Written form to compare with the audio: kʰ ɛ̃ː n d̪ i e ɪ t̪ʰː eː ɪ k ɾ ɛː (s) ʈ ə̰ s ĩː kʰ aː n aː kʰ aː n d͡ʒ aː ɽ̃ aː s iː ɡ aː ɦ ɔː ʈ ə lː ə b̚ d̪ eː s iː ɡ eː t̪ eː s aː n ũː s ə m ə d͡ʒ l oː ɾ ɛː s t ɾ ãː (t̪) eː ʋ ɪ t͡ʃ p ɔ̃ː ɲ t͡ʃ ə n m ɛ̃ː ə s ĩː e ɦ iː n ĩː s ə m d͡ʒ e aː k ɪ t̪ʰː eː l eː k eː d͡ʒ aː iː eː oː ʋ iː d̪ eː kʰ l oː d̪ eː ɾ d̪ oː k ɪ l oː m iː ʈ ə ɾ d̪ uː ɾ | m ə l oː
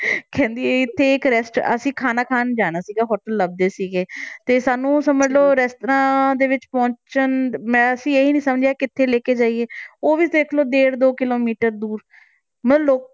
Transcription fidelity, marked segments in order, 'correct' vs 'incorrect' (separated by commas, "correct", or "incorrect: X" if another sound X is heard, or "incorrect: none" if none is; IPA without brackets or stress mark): correct, incorrect: d̪